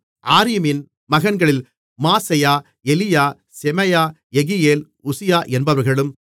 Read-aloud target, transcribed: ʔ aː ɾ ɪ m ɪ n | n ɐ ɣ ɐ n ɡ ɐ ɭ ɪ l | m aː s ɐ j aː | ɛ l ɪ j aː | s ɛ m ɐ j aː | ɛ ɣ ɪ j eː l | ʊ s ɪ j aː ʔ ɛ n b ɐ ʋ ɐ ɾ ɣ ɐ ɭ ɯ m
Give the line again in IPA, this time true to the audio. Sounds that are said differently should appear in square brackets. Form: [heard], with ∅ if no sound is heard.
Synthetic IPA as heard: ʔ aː ɾ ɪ m ɪ n | [m] ɐ ɣ ɐ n ɡ ɐ ɭ ɪ l | m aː s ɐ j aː | ɛ l ɪ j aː | s ɛ m ɐ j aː | ɛ ɣ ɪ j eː l | ʊ s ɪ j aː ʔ ɛ n b ɐ ʋ ɐ ɾ ɣ ɐ ɭ ɯ m

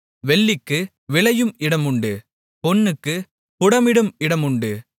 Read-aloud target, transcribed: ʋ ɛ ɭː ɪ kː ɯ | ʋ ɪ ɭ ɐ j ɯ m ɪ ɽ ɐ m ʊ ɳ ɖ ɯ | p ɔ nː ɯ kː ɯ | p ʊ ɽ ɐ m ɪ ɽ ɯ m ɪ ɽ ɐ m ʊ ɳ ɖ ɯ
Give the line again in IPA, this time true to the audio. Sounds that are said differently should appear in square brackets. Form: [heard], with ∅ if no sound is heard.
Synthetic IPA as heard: ʋ ɛ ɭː ɪ kː ɯ | ʋ ɪ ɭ ɐ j ɯ m ɪ ɽ ɐ m ʊ ɳ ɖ ɯ | p ɔ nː ɯ kː ɯ | p ʊ ɽ ɐ m ɪ ɽ ɯ m ɪ ɽ ɐ m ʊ ɳ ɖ ɯ

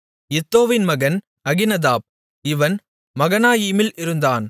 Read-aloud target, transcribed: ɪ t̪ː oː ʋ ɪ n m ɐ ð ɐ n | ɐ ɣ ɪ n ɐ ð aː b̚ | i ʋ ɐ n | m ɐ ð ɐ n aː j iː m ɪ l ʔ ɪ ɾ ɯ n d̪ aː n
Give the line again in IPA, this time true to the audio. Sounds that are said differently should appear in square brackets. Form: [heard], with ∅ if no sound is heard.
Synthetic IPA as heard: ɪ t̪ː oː ʋ ɪ n m ɐ [ɣ] ɐ n | ɐ ɣ ɪ n ɐ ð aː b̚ | [ɪ] ʋ ɐ n | m ɐ [ɣ] ɐ n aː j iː m ɪ l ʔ ɪ ɾ ɯ n d̪ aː n

